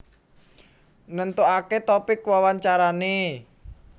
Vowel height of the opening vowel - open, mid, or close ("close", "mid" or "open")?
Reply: mid